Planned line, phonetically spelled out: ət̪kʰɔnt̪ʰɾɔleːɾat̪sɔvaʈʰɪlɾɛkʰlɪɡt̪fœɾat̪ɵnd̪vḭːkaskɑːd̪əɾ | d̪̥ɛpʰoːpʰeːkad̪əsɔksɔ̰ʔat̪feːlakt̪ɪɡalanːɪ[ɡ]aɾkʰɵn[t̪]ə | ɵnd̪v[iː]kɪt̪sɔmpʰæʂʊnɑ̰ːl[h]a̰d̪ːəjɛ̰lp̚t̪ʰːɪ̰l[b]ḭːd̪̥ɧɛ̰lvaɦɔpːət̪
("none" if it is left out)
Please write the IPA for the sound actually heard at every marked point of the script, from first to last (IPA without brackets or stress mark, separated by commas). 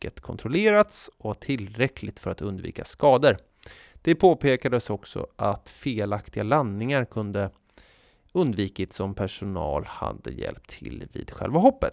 ŋ, d̪, iː, h, v